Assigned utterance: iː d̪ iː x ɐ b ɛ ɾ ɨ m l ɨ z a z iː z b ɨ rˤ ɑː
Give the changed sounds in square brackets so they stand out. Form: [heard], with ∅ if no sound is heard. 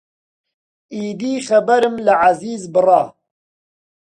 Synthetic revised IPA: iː d̪ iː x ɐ b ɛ ɾ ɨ m l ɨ [ʕ] a z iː z b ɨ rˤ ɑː